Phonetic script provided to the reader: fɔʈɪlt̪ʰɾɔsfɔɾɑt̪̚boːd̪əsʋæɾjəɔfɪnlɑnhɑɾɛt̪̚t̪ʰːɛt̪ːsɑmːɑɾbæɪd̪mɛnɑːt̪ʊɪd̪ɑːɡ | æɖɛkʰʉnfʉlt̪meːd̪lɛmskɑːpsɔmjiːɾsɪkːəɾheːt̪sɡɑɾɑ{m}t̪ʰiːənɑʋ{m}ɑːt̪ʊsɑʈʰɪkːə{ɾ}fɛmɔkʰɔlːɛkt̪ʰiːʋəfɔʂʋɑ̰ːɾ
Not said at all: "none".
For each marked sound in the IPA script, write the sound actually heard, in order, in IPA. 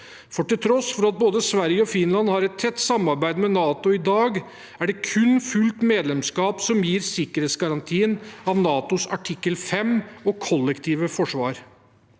n, n, l

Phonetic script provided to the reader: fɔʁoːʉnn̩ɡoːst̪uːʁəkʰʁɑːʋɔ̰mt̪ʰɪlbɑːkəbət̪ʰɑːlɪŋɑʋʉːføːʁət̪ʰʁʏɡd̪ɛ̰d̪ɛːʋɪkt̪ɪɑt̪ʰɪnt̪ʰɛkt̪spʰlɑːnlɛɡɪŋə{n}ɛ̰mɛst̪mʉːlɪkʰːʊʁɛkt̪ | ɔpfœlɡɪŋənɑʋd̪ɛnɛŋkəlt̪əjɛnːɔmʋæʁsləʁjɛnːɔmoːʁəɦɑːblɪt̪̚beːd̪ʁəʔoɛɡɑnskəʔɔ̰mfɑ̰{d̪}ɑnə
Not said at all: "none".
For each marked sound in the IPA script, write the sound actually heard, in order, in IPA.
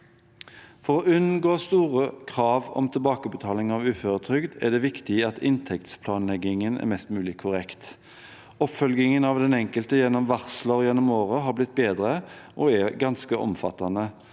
n, t̪

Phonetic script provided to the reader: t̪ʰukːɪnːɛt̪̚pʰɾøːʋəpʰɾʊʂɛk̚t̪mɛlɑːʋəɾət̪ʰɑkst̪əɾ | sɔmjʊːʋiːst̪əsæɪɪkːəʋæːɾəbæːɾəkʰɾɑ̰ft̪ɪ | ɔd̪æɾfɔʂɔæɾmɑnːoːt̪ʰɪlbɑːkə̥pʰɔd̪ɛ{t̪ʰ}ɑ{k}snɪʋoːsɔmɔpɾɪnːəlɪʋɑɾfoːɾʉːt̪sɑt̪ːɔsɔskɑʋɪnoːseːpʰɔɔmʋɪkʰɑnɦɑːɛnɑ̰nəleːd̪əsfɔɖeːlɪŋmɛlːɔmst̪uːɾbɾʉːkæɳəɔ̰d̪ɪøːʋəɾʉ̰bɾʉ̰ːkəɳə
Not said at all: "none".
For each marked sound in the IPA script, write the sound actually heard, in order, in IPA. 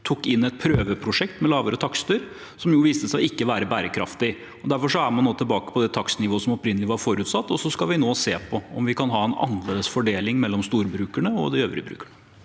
t̪ʰ, k

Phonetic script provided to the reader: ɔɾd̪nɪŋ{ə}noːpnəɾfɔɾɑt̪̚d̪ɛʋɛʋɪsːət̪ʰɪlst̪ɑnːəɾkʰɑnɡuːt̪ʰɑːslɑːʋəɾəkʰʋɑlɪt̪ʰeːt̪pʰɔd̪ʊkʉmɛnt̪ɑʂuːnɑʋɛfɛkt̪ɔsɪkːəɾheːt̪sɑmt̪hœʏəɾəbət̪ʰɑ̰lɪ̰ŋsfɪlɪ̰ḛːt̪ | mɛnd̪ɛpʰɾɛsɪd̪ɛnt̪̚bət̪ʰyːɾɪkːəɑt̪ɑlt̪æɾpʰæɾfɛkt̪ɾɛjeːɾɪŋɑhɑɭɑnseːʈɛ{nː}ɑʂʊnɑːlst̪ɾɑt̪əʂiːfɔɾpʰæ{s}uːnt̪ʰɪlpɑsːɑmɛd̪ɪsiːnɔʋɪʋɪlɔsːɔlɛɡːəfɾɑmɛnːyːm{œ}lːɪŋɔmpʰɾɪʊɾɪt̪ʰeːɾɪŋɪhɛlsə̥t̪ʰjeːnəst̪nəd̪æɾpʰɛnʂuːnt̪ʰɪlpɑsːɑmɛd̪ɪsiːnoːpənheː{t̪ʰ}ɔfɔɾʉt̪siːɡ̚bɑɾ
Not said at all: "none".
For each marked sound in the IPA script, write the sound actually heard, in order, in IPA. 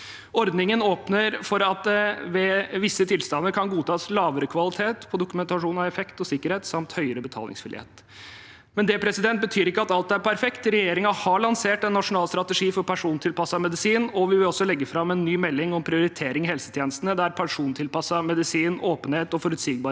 ə, nː, ʂ, ɛ, t̪

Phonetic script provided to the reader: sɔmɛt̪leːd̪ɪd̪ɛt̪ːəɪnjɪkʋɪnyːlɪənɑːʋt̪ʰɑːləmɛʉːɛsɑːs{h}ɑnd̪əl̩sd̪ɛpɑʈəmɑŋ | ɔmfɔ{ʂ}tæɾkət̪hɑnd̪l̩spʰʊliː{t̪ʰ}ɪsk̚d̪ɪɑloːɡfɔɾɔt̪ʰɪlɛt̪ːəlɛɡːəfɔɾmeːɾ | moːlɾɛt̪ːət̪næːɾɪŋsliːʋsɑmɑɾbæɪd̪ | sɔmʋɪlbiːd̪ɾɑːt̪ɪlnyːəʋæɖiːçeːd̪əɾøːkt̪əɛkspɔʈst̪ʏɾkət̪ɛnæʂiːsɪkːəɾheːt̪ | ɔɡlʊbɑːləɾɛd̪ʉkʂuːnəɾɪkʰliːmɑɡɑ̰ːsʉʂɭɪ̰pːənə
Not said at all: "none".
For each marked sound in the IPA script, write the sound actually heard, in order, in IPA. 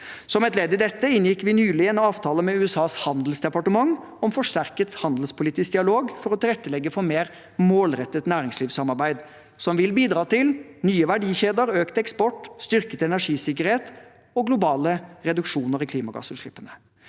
h, ʂ, t̪

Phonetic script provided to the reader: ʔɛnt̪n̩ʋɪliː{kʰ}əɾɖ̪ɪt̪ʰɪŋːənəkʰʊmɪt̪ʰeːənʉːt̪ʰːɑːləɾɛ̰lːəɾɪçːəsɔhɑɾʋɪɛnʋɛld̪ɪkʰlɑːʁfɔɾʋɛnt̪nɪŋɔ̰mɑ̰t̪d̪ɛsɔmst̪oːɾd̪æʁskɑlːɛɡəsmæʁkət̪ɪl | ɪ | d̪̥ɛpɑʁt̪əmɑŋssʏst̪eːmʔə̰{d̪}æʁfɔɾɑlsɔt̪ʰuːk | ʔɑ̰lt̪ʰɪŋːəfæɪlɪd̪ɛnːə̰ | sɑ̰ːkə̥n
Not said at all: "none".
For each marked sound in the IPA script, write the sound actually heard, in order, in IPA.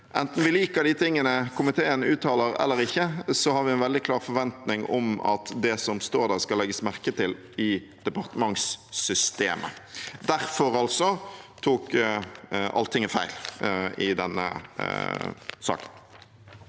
k, d̪

